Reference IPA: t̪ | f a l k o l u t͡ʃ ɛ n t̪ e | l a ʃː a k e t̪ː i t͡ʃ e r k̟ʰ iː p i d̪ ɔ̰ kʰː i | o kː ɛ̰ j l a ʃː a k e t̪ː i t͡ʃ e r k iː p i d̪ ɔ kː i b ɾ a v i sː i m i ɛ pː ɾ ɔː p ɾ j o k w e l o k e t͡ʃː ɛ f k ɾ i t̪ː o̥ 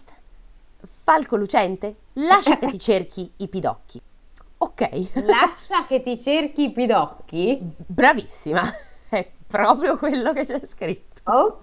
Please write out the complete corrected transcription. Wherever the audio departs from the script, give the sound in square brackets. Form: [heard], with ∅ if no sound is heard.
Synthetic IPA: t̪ | f a l k o l u t͡ʃ ɛ n t̪ e | l a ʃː a k e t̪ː i t͡ʃ e r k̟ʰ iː p i d̪ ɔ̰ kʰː i | o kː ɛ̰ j l a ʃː a k e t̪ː i t͡ʃ e r k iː p i d̪ ɔ kː i b ɾ a v i sː i m [a] ɛ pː ɾ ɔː p ɾ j o k w e [lː] o k e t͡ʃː ɛ [s] k ɾ i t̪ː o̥